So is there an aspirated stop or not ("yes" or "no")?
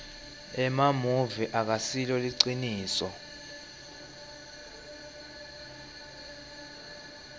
no